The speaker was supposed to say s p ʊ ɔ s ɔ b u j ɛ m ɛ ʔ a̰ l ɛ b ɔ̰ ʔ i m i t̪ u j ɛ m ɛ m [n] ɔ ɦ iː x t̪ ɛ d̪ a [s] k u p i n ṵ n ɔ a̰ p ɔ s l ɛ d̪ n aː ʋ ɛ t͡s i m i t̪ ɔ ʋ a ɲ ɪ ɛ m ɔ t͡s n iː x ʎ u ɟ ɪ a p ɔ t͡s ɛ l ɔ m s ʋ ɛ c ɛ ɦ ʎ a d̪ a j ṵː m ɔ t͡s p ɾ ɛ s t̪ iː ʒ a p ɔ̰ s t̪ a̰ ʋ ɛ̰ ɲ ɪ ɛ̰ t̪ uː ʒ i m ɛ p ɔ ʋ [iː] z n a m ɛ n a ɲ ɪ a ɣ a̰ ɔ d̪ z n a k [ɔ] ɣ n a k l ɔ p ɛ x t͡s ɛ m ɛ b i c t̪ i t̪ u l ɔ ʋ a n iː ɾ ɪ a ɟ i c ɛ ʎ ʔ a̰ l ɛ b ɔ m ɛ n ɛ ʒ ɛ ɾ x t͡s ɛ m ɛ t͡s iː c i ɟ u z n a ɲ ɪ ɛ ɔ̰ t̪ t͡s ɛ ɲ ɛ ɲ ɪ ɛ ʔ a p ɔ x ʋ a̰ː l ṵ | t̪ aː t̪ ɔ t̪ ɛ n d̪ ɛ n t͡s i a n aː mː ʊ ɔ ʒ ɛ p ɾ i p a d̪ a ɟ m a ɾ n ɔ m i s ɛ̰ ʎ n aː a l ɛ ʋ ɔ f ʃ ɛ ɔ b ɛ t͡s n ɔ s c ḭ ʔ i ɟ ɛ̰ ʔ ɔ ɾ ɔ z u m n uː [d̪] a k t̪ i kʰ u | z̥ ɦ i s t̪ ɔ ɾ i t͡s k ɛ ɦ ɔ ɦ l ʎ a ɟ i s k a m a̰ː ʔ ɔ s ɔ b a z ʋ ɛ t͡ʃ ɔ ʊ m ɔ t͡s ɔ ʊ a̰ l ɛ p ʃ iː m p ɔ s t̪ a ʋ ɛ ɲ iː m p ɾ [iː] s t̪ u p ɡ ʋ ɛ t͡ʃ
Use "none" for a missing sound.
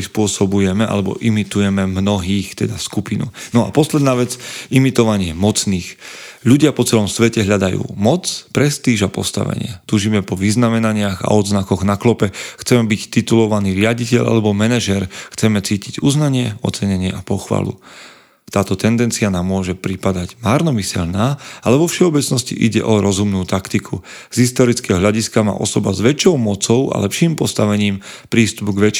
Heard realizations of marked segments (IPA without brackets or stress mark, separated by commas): n, s, i, ɔ, t̪, iː